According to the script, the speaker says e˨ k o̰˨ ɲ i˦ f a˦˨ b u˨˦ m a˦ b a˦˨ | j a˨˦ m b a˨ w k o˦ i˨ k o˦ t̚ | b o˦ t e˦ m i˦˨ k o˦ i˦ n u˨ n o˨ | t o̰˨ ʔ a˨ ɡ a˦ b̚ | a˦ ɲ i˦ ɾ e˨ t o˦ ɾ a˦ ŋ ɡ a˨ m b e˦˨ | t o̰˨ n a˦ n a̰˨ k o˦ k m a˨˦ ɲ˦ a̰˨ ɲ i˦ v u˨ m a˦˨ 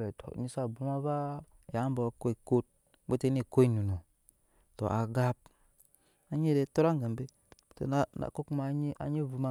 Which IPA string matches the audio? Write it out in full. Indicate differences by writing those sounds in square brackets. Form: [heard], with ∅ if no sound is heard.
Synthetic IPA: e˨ [t] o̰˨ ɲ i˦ [s] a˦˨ b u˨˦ m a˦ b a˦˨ | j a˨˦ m b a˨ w k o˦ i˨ k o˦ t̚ | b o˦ t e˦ [n] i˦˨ k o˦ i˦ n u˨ n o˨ | t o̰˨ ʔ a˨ ɡ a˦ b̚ | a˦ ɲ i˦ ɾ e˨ t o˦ ɾ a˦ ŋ ɡ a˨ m b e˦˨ | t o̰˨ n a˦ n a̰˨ k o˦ k m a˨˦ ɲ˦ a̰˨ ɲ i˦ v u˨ m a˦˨